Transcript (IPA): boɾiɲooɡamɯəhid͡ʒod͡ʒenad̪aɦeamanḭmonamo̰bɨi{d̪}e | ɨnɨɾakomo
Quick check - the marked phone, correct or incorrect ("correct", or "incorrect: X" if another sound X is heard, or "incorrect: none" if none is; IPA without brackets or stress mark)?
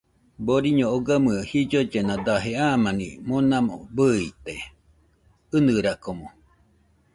incorrect: t̪